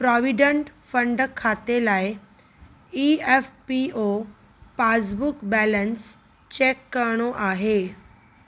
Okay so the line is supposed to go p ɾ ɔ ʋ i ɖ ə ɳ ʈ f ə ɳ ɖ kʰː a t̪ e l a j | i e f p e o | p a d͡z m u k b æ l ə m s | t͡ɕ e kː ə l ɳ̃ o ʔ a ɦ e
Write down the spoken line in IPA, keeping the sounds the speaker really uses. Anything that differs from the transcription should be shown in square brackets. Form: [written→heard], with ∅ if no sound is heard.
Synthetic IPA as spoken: p ɾ ɔ ʋ i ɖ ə ɳ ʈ f ə ɳ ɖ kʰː a t̪ e l a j | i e f p [e→i] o | p a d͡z [m→b] u k b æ l ə [m→n] s | t͡ɕ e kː ə [l→ɾ] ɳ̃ o ʔ a ɦ e